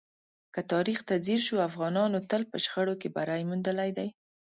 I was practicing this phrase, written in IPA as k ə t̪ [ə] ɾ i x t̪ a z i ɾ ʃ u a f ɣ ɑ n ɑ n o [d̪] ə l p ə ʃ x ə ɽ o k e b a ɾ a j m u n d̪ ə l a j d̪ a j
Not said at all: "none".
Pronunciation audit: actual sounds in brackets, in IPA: ɑ, t̪

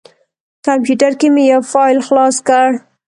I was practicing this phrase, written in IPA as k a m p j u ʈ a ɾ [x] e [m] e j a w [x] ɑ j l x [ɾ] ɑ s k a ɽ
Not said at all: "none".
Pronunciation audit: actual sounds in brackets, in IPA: k, m, f, l

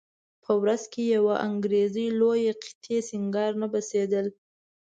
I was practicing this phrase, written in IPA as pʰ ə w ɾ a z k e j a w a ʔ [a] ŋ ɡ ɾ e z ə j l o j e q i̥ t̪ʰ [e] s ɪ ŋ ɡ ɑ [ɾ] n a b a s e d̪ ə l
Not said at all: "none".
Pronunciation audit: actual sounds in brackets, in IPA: a, e, ɾ

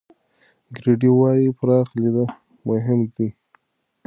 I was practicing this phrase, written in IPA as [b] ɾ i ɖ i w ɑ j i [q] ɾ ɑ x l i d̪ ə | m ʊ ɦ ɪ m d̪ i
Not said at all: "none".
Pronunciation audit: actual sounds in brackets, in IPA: ɡ, p

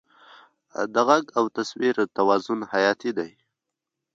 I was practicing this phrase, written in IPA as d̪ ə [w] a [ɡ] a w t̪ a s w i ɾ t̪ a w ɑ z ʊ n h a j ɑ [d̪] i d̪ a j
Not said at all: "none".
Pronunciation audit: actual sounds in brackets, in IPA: ɣ, ɡ, t̪

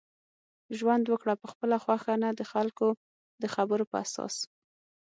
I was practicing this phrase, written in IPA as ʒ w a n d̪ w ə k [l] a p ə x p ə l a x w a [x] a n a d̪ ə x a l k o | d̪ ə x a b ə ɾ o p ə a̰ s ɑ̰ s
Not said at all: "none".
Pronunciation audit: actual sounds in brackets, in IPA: ɽ, x

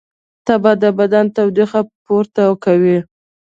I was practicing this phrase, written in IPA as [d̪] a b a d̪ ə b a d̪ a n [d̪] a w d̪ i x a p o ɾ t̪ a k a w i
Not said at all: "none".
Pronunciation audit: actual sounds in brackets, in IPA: t̪, t̪

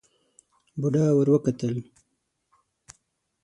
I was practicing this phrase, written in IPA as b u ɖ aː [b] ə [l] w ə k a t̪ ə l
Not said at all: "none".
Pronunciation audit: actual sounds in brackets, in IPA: w, ɾ

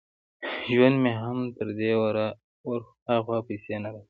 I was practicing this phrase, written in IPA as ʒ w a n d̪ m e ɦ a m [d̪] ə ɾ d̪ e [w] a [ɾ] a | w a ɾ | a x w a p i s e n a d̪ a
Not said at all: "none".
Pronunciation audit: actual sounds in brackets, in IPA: t̪, w, ɾ

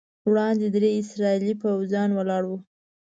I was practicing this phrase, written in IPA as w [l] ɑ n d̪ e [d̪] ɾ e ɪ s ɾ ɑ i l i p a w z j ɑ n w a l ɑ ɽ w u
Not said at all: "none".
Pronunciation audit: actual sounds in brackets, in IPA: ɽ, d̪

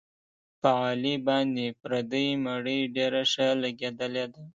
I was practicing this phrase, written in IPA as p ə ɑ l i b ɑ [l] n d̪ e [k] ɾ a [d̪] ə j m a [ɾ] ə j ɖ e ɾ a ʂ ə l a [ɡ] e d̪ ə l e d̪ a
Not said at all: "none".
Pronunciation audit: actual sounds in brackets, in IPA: none, p, d̪, ɽ, ɡ

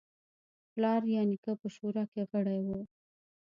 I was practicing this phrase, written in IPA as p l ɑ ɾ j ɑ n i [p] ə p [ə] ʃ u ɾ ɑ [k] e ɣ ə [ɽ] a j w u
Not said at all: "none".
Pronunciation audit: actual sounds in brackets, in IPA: k, ə, k, ɽ

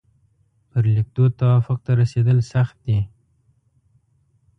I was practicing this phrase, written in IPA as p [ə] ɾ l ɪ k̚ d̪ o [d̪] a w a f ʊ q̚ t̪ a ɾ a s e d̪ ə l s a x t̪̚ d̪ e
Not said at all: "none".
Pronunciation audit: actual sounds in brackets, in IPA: ə, t̪

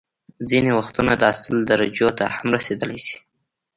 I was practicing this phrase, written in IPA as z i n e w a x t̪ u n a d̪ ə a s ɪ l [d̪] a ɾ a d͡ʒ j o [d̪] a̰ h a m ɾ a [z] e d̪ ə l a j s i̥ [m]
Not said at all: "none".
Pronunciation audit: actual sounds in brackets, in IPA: d̪, t̪, s, none

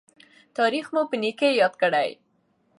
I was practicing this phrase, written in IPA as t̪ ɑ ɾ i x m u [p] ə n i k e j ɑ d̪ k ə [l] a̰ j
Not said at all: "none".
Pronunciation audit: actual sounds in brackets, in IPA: p, ɽ

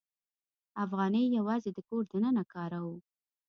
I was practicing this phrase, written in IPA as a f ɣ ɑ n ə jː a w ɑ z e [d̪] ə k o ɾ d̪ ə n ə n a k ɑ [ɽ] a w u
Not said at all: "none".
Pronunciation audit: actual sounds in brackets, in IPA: d̪, ɾ

